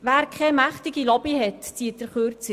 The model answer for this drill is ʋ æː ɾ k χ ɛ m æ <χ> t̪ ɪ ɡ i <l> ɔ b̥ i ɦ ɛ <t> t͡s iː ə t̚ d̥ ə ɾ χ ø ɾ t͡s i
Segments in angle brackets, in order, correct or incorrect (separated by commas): correct, correct, correct